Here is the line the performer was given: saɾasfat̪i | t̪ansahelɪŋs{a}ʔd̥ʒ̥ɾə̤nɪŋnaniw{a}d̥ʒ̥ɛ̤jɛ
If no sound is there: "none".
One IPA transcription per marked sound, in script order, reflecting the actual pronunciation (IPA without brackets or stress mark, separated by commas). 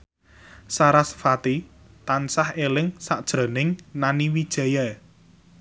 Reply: a, i